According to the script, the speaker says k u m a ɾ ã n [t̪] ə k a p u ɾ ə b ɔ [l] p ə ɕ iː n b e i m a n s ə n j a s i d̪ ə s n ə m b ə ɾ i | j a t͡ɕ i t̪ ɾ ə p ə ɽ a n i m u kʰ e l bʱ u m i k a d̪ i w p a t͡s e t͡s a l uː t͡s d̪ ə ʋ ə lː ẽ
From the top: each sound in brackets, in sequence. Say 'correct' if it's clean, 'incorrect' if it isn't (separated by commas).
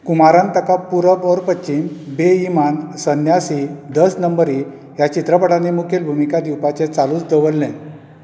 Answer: correct, incorrect